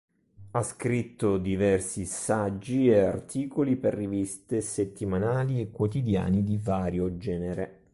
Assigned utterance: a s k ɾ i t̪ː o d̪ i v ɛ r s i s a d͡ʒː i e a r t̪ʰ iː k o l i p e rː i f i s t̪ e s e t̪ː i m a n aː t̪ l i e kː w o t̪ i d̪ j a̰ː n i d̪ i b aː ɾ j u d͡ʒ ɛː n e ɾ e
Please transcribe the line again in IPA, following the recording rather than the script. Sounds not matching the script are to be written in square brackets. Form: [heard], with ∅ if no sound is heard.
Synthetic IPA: a s k ɾ i t̪ː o d̪ i v ɛ r s i s a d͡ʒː i e a r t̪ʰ iː k o l i p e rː i [v] i s t̪ e s e t̪ː i m a n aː [∅] l i e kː w o t̪ i d̪ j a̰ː n i d̪ i [v] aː ɾ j [o] d͡ʒ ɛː n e ɾ e